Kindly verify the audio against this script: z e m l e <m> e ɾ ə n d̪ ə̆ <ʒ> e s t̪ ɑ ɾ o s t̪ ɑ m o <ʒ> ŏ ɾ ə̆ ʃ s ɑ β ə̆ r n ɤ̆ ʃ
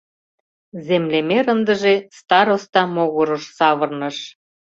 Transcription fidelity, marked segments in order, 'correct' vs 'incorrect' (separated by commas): correct, correct, incorrect